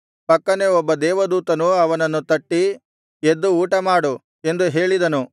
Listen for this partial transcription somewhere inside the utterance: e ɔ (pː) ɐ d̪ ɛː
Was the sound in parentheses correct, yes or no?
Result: no